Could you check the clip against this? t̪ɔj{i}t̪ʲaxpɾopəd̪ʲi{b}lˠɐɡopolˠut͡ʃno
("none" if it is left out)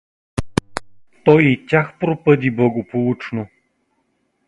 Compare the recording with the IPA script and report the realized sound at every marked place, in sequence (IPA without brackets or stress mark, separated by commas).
i, b